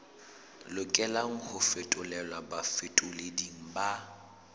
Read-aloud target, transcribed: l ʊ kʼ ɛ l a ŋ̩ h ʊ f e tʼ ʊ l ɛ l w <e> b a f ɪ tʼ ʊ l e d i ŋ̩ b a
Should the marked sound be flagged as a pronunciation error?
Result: yes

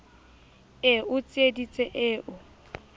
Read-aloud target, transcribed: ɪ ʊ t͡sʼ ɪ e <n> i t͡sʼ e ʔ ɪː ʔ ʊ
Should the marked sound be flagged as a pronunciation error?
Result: yes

